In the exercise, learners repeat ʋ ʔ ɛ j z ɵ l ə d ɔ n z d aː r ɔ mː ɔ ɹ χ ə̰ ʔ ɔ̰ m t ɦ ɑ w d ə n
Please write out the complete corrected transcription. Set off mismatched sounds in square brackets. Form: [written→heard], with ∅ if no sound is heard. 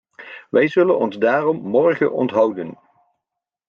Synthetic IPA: ʋ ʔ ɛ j z ɵ l ə [d→n] ɔ n z d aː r ɔ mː ɔ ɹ χ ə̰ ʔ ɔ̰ [m→n] t ɦ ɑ w d ə n